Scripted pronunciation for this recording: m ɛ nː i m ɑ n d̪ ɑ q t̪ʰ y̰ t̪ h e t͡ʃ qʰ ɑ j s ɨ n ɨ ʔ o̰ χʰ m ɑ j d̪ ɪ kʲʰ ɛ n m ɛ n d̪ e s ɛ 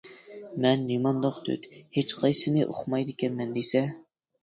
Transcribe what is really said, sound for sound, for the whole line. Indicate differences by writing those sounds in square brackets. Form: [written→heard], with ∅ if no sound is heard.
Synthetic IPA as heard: m ɛ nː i m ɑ n d̪ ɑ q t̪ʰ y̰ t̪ h e t͡ʃ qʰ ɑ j s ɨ n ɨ ʔ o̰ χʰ m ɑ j d̪ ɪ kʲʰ ɛ n m ɛ n d̪ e s ɛ

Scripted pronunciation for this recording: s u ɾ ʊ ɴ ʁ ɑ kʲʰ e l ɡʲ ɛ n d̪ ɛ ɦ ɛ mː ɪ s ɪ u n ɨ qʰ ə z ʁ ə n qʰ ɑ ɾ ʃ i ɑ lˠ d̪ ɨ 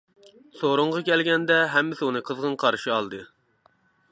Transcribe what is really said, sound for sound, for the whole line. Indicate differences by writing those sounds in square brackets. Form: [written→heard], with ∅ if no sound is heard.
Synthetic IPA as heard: s [u→o] ɾ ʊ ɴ ʁ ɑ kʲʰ [e→ɛ] l ɡʲ ɛ n d̪ ɛ ɦ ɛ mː ɪ s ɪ u n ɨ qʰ ə z ʁ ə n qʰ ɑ ɾ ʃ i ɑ lˠ d̪ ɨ

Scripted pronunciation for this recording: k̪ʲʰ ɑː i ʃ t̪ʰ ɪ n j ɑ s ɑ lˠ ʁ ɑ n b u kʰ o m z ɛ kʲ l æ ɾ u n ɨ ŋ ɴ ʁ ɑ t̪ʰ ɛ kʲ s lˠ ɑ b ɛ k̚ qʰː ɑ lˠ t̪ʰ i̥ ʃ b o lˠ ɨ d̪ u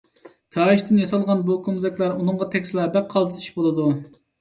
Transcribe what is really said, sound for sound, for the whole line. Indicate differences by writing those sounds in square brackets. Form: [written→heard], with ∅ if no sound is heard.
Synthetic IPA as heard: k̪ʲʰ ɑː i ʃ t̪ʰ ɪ n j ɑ s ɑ lˠ ʁ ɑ n b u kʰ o m z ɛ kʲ l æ ɾ u n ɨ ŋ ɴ ʁ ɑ t̪ʰ ɛ kʲ s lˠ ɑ b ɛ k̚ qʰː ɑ lˠ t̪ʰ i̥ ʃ b o lˠ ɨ d̪ u

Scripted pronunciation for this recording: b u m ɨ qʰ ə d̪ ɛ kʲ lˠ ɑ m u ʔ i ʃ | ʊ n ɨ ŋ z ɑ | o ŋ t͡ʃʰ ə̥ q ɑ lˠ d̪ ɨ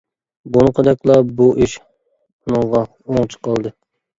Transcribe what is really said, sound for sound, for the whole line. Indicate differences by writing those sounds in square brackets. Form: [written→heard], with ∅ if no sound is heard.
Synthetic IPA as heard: b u [m→n] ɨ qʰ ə d̪ ɛ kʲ lˠ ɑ [m→b] u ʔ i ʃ | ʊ n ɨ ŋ [z→ʁ] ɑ | o ŋ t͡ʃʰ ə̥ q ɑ lˠ d̪ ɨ

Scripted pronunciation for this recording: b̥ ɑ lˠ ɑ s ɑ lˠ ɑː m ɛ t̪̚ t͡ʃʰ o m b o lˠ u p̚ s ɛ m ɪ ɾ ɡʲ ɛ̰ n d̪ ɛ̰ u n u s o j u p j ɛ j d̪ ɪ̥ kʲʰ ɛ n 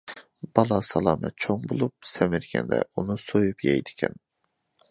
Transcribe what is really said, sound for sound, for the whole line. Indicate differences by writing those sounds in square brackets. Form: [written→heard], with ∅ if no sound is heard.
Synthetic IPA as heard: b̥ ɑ lˠ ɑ s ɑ lˠ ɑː m ɛ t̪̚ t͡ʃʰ o [m→ŋ] b o lˠ u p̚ s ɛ m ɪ ɾ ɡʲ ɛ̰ n d̪ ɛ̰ u n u s o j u p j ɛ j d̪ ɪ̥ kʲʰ ɛ n

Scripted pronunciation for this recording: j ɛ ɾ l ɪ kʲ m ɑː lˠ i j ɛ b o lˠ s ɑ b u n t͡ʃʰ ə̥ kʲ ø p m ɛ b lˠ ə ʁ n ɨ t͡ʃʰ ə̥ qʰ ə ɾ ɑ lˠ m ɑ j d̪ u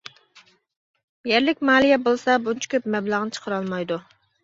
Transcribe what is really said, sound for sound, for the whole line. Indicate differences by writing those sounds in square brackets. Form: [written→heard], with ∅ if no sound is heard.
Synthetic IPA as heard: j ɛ ɾ l ɪ kʲ m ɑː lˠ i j ɛ b o lˠ s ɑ b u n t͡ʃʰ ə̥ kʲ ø p m ɛ b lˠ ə ʁ n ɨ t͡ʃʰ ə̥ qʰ ə ɾ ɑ lˠ m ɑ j d̪ u

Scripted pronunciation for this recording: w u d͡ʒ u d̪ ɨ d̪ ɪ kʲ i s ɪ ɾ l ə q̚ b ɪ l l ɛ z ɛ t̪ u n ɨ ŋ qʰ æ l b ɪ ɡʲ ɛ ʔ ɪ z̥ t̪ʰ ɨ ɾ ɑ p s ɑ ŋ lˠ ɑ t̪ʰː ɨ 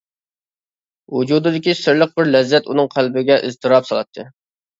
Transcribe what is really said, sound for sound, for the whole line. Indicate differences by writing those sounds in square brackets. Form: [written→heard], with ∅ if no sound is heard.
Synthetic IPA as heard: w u d͡ʒ u d̪ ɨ d̪ ɪ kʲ i s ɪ ɾ l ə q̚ b ɪ [l→ɾ] l ɛ [z→zː] ɛ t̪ u n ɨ ŋ qʰ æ l b ɪ ɡʲ ɛ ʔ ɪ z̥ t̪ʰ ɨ ɾ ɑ p s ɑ [ŋ→∅] lˠ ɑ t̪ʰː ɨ

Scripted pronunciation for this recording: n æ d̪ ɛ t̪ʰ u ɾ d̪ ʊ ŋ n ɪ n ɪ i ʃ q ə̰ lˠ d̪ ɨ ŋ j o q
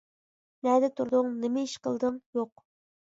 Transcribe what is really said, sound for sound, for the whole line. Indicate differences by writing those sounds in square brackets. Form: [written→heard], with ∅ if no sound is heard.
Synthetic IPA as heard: n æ d̪ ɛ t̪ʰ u ɾ d̪ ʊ ŋ n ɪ [n→m] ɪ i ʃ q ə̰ lˠ d̪ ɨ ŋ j o q

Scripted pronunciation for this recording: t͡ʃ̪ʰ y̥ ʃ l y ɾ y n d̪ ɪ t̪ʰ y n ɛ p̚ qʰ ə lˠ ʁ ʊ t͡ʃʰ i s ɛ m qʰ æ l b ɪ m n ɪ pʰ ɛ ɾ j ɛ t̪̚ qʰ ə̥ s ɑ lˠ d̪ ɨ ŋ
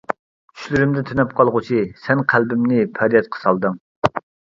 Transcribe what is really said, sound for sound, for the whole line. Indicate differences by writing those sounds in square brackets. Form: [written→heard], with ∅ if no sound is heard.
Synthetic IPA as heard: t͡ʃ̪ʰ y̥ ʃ l y ɾ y [n→m] d̪ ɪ t̪ʰ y n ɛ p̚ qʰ [ə→ɑ] lˠ ʁ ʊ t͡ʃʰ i s ɛ [m→n] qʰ æ l b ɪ m n ɪ pʰ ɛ ɾ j ɛ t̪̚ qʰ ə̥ s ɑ lˠ d̪ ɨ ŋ

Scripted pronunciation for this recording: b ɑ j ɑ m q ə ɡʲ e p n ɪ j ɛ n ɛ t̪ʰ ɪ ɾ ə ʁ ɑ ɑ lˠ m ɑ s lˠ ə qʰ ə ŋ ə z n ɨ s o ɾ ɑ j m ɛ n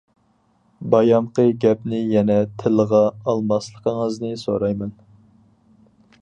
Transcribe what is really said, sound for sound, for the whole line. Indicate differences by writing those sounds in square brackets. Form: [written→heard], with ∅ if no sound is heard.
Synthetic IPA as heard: b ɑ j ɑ m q ə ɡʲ [e→ɛ] p n ɪ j ɛ n ɛ t̪ʰ ɪ [ɾ→l] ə ʁ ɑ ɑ lˠ m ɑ s lˠ ə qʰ ə ŋ ə z n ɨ s o ɾ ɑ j m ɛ n

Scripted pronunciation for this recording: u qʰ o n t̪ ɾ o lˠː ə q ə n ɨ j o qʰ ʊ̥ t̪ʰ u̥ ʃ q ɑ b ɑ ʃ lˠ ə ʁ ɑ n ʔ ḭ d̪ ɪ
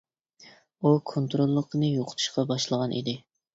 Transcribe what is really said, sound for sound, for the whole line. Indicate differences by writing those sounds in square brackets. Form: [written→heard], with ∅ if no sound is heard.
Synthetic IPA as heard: u [qʰ→kʰ] o n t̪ ɾ o lˠː ə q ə n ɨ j o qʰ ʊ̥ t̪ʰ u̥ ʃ q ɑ b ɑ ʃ lˠ ə ʁ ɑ n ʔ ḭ d̪ ɪ

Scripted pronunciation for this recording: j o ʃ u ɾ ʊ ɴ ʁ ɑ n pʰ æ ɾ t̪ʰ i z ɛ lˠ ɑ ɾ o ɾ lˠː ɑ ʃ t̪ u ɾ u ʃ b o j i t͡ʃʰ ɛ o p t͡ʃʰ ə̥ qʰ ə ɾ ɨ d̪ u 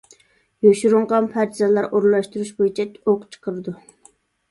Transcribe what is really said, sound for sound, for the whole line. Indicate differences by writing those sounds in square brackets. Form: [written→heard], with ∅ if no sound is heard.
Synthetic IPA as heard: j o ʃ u ɾ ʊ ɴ ʁ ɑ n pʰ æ ɾ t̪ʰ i z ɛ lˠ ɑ ɾ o ɾ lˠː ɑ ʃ t̪ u ɾ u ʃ b o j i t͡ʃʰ ɛ o [p→q] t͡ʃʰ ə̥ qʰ ə ɾ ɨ d̪ u

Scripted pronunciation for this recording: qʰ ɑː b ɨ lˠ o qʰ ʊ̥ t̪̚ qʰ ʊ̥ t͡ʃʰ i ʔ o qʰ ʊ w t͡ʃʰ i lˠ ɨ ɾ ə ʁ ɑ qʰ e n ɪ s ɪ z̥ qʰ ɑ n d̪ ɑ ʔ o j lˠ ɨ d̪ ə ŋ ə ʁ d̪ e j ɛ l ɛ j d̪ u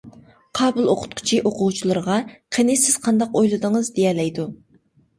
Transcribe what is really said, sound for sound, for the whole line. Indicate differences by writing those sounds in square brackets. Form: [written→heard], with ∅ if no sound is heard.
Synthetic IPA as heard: qʰ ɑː b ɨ lˠ o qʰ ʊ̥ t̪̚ qʰ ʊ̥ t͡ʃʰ i ʔ o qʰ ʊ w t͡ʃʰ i lˠ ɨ ɾ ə ʁ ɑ qʰ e n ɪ s ɪ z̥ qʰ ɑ n d̪ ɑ [ʔ→q] o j lˠ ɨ d̪ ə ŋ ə [ʁ→z] d̪ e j ɛ l ɛ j d̪ u

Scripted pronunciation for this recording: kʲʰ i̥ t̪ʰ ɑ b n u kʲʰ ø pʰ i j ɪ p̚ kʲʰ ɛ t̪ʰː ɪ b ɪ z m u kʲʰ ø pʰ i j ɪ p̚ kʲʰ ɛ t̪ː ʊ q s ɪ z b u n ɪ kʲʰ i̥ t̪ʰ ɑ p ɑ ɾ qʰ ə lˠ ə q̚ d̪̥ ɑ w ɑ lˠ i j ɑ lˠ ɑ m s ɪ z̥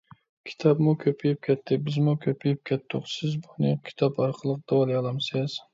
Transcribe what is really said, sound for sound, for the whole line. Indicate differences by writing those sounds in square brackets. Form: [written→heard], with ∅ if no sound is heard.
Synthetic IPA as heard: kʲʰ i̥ t̪ʰ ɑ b [n→m] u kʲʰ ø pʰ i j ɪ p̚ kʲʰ ɛ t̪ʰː ɪ b ɪ z m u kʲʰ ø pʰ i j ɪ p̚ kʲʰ ɛ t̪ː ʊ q s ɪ z b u n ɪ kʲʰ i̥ t̪ʰ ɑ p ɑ ɾ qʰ ə lˠ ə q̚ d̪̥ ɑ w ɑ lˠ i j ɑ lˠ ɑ m s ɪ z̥

